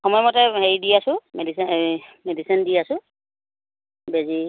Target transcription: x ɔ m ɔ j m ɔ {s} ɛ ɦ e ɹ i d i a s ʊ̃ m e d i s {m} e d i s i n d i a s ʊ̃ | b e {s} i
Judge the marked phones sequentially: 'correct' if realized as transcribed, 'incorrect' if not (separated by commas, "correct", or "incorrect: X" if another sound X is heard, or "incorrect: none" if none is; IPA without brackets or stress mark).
incorrect: t, correct, incorrect: z